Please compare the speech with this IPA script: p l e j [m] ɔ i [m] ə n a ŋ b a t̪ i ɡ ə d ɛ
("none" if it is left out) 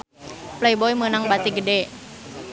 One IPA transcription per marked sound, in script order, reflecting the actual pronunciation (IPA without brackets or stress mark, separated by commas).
b, m